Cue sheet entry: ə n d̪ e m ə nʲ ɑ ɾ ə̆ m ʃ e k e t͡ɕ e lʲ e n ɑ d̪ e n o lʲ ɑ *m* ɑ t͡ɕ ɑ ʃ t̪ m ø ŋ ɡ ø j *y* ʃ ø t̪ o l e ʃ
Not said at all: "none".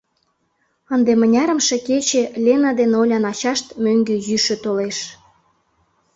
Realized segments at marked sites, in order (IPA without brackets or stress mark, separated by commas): n, y